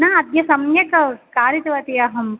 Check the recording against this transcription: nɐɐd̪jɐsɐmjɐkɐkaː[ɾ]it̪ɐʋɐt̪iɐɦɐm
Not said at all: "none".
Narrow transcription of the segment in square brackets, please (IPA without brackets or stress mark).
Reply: ɾ